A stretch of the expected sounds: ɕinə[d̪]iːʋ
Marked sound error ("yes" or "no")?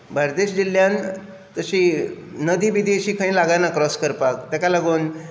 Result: no